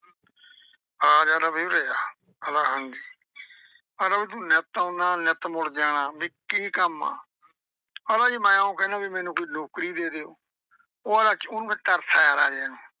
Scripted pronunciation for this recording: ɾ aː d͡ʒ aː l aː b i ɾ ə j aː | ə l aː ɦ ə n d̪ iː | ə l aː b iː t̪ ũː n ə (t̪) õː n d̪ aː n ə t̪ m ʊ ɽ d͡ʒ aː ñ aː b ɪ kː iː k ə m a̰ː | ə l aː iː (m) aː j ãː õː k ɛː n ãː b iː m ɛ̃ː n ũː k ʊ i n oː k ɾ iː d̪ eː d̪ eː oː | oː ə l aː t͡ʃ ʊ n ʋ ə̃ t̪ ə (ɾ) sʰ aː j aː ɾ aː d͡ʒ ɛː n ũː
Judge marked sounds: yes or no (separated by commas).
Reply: yes, yes, yes